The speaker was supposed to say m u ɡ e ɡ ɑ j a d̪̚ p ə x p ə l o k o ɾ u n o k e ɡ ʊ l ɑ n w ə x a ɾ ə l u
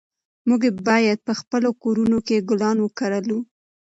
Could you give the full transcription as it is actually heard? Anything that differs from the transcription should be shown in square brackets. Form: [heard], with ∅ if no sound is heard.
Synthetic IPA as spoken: m u ɡ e [b] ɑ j a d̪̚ p ə x p ə l o k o ɾ u n o k e ɡ ʊ l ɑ n w ə [k] a ɾ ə l u

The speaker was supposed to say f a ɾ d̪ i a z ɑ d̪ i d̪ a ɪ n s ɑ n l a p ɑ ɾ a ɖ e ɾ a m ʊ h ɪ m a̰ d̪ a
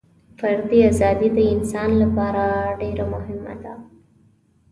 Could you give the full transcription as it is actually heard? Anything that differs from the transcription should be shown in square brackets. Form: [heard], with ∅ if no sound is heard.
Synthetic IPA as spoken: f a ɾ d̪ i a z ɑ d̪ i d̪ [ə] ɪ n s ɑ n l a p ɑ ɾ a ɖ e ɾ a m ʊ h ɪ m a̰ d̪ a

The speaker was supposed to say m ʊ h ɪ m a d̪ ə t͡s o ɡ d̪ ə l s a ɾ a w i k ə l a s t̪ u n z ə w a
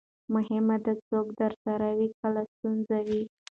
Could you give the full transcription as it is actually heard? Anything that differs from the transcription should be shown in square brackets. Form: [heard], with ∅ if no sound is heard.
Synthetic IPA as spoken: m ʊ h ɪ m a d̪ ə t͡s o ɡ d̪ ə [ɾ] s a ɾ a w i k ə l a s t̪ u n z [a] w [i]

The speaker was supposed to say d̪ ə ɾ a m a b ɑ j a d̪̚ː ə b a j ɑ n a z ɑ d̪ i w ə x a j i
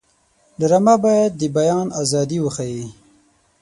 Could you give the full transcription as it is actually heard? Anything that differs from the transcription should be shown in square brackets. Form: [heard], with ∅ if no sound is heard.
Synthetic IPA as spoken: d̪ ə ɾ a m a b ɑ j a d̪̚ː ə b a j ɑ n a z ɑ d̪ i w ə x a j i

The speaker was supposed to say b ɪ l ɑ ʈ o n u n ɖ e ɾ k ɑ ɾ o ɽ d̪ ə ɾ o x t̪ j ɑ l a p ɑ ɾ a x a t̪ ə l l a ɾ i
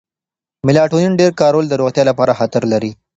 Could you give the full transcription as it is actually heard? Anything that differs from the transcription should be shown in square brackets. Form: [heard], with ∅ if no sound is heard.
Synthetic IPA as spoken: [m] ɪ l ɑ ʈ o n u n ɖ e ɾ k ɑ ɾ o [l] d̪ ə ɾ o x t̪ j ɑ l a p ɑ ɾ a x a t̪ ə [ɾ] l a ɾ i

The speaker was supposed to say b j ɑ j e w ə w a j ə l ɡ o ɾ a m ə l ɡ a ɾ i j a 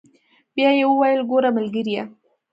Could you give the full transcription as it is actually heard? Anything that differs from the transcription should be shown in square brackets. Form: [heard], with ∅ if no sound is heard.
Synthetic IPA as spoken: b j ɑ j e w ə w a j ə l ɡ o ɾ a m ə l ɡ [ə] ɾ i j a

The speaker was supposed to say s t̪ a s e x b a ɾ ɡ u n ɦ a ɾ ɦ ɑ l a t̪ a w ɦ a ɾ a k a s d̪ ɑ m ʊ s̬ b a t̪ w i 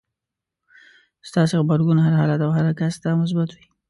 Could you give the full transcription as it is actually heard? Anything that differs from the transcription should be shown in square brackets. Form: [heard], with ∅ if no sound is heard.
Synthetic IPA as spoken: s t̪ [ɑ] s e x b a ɾ ɡ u n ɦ a ɾ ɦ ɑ l a t̪ a w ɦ a ɾ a k a s d̪ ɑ m ʊ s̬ b a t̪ w i

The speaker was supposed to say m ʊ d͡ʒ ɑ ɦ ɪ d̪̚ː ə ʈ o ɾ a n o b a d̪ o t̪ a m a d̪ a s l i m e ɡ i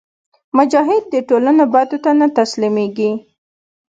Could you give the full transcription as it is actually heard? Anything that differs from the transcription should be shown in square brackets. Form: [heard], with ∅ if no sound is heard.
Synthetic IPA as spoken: m ʊ d͡ʒ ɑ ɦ ɪ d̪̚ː ə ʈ o [l] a n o b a d̪ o t̪ a [n] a [t̪] a s l i m e ɡ i

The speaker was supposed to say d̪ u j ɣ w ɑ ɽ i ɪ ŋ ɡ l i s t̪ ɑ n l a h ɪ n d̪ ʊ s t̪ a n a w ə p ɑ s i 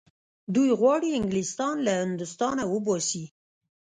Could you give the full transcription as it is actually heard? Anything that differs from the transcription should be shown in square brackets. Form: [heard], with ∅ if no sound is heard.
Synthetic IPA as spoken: d̪ u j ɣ w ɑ ɽ i ɪ ŋ ɡ l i s t̪ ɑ n l a h ɪ n d̪ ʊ s t̪ [ɑ] n a w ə [b] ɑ s i

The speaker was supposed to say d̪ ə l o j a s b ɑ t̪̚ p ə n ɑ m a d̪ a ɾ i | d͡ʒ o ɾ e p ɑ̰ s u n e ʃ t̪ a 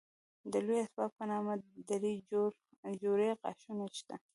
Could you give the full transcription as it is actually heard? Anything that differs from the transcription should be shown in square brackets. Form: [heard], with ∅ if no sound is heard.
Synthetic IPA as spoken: d̪ ə l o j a s b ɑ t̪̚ p ə n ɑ m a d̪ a ɾ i | d͡ʒ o ɾ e [q] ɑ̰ [ʃ] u n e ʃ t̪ a

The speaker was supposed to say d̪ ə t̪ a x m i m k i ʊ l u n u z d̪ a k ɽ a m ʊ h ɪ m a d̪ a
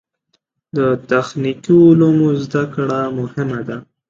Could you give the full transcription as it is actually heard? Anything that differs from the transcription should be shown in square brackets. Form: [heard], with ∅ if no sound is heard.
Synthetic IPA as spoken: d̪ ə t̪ a x [n] i [∅] k i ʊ l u [m] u z d̪ a k ɽ a m ʊ h ɪ m a d̪ a

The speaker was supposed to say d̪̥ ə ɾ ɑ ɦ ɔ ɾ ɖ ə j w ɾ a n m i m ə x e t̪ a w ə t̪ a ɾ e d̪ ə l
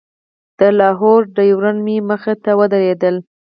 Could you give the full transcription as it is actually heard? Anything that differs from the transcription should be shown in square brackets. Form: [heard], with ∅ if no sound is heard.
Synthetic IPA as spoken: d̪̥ ə [l] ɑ ɦ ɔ ɾ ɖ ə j w ɾ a n m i m ə x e t̪ a w ə [d̪] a ɾ e d̪ ə l

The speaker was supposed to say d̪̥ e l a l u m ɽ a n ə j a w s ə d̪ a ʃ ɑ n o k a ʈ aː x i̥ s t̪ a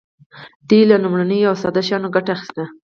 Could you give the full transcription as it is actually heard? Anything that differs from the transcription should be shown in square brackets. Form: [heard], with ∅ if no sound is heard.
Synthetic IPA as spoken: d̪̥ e l a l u m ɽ a n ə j a w s [ɑ] d̪ a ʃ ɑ n o [ɡ] a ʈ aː x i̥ s t̪ a

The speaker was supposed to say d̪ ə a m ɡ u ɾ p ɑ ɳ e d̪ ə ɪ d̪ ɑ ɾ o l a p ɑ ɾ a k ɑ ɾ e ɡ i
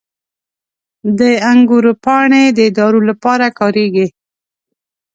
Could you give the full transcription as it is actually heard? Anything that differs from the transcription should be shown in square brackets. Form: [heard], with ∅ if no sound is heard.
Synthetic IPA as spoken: d̪ ə a [ŋ] ɡ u ɾ p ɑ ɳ e d̪ ə ɪ d̪ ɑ ɾ o l a p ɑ ɾ a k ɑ ɾ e ɡ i

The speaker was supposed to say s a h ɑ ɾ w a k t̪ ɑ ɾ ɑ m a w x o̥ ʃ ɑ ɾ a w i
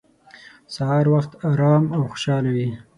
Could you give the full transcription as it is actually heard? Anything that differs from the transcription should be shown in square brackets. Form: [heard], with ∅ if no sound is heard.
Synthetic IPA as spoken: s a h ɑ ɾ w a [x] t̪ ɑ ɾ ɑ m a w x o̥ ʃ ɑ [l] a w i

